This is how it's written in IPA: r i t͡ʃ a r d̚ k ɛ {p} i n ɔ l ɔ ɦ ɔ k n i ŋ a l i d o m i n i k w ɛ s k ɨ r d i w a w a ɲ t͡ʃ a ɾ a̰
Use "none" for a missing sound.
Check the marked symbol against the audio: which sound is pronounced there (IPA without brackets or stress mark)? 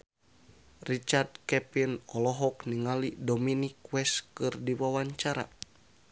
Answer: p